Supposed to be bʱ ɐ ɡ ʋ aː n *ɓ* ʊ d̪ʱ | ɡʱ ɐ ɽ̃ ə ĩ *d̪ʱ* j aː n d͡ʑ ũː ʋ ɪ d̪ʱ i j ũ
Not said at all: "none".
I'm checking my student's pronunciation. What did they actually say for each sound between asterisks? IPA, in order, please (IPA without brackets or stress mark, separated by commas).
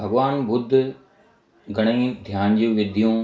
b, d̪ʱ